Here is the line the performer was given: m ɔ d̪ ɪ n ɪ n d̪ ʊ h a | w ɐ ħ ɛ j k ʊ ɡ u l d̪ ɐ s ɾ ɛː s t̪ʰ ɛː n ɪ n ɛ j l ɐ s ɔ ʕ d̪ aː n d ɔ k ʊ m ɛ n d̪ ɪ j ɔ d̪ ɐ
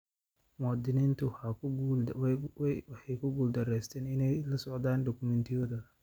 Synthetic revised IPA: m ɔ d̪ ɪ n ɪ n t̪ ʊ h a | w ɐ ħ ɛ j k ʊ ɡ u l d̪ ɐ ɾ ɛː s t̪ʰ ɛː n ɪ n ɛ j l ɐ s ɔ ʕ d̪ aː n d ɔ k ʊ m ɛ n t̪ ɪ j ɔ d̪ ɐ